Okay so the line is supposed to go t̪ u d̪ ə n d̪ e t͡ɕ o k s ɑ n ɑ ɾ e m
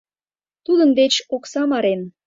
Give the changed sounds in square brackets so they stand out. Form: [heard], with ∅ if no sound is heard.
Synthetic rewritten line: t̪ u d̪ ə n d̪ e t͡ɕ o k s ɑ [m] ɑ ɾ e [n]